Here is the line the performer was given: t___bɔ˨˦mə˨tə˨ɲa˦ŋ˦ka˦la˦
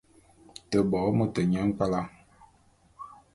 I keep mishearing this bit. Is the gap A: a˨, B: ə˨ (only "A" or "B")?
B